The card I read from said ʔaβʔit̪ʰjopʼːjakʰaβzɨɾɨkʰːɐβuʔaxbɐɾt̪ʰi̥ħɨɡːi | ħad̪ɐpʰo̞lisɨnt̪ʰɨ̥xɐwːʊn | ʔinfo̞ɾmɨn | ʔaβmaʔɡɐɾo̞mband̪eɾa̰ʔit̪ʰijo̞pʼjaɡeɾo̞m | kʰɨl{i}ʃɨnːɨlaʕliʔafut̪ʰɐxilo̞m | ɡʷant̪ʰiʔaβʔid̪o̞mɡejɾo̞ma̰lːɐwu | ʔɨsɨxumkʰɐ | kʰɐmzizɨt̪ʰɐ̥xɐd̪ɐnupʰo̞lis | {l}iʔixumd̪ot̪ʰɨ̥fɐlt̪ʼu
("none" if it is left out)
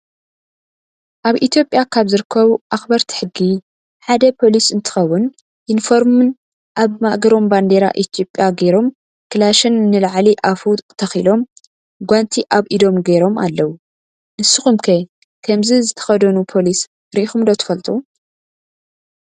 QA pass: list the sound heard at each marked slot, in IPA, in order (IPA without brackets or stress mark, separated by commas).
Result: a, ɾ